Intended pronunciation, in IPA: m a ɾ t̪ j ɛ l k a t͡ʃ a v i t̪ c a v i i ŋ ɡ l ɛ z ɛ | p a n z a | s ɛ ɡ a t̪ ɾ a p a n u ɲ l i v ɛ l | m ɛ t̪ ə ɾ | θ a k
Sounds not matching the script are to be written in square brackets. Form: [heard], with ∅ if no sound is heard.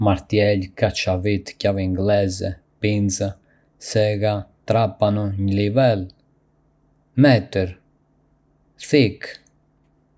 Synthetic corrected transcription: m a ɾ t̪ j ɛ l k a t͡ʃ a v i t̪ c a v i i ŋ ɡ l ɛ z ɛ | p [i] n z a | s ɛ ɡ a t̪ ɾ a p a n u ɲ l i v ɛ l | m ɛ t̪ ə ɾ | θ [i] k